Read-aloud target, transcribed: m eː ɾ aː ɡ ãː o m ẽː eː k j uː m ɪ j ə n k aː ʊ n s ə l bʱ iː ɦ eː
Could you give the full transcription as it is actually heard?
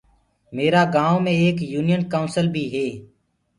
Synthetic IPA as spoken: m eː ɾ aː ɡ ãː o m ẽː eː k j uː n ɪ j ə n k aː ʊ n s ə l bʱ iː ɦ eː